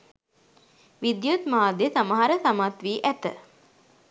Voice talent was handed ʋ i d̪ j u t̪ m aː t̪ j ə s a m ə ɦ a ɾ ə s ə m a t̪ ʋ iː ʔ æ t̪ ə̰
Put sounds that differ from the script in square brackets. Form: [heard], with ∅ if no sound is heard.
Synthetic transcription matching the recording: ʋ i d̪ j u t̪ m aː [d̪] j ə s a m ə ɦ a ɾ ə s [a] m a t̪ ʋ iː ʔ æ t̪ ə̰